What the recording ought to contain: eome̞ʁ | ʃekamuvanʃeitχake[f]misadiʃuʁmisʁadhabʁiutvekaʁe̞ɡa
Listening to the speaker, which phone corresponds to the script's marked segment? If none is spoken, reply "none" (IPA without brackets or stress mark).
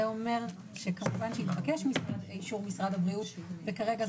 ʃ